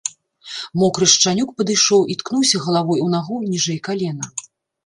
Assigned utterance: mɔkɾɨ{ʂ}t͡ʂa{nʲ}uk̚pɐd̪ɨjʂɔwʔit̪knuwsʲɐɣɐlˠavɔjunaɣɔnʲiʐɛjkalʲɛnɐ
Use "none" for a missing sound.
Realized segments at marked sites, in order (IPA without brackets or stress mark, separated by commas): ʂ, nʲ